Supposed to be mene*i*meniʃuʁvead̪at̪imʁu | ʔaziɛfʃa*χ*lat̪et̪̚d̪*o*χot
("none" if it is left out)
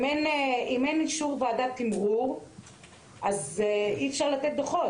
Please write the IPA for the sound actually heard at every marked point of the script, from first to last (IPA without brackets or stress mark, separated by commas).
i, ʁ, o